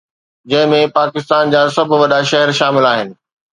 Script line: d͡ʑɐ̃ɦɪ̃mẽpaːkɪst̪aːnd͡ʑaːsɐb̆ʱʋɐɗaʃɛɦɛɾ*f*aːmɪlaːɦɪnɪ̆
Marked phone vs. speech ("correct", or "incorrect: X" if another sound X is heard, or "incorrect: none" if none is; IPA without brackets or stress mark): incorrect: ʃ